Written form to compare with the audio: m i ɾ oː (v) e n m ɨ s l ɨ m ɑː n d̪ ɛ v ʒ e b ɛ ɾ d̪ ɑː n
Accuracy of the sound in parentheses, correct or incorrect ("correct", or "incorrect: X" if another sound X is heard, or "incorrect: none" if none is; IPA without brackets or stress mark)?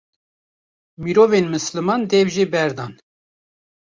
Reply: correct